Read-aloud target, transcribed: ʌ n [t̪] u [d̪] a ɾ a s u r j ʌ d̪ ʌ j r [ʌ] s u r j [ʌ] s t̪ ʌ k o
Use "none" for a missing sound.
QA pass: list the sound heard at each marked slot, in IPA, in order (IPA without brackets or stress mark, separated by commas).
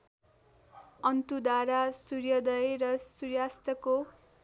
t̪, d̪, ʌ, a